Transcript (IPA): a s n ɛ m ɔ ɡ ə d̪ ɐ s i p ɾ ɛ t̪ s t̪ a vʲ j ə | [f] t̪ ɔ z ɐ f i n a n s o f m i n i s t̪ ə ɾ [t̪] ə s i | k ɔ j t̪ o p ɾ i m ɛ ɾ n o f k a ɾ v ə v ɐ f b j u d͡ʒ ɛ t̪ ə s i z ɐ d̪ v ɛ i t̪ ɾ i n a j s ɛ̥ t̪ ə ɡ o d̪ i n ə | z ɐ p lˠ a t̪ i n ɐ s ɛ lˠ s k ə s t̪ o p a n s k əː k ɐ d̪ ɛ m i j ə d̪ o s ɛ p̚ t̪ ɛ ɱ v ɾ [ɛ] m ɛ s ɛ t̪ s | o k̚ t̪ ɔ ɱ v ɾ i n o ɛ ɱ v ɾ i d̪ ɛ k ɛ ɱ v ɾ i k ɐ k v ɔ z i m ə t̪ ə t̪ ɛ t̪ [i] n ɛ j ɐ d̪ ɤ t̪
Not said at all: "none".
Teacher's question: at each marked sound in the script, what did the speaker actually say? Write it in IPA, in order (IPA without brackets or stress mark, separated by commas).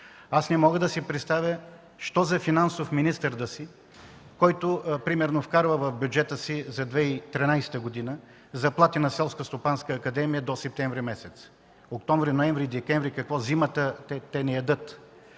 ʃ, d̪, i, ɛ